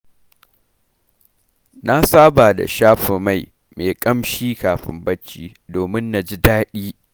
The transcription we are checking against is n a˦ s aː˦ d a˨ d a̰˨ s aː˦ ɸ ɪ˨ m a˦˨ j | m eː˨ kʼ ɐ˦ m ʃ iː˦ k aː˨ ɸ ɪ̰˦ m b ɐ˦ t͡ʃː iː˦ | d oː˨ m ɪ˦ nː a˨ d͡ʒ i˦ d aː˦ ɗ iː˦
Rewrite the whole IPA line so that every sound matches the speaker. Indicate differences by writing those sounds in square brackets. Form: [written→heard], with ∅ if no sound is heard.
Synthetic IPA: n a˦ s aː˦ [d→b] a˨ d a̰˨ [s→ʃ] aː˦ ɸ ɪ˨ m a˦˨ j | m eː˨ kʼ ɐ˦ m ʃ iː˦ k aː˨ ɸ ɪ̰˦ m b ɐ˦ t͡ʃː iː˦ | d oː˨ m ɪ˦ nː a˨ d͡ʒ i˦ d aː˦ ɗ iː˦